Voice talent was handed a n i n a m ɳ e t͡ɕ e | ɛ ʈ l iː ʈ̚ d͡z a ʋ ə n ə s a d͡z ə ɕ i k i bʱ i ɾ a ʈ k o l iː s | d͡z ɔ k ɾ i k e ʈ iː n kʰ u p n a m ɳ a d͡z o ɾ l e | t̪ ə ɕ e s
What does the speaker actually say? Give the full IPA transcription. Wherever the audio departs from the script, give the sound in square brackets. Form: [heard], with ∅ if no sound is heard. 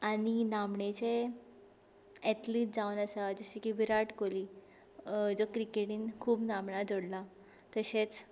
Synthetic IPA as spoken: a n i n a m ɳ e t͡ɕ e | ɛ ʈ l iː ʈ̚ d͡z a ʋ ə n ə s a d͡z ə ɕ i k i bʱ i ɾ a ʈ k o l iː [∅] | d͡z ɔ k ɾ i k e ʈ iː n kʰ [uː] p n a m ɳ a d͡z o [ɽ] l [a] | t̪ ə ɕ e [t͡s]